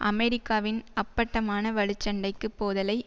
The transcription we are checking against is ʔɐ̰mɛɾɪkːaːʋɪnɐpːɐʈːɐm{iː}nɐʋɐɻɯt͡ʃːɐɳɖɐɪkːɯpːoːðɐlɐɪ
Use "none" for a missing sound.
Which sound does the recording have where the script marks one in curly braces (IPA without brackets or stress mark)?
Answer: aː